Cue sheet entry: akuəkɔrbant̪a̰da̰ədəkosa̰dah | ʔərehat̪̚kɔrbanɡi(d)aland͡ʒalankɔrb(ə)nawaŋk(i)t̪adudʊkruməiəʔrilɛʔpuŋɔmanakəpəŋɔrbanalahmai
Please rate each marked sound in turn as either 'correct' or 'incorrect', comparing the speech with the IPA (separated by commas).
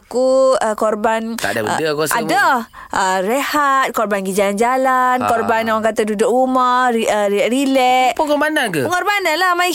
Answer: incorrect, incorrect, incorrect